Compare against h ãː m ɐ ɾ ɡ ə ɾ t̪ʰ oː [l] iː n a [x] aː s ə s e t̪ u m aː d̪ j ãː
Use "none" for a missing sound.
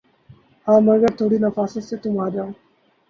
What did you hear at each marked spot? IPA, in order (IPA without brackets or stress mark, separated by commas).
ɽ, f